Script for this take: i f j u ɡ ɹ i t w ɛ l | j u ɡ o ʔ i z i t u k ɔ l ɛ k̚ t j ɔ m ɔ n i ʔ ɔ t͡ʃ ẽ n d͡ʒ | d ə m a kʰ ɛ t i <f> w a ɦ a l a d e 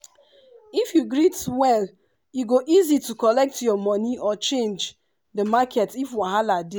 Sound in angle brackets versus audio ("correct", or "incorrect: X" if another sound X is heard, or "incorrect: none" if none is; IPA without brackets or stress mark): correct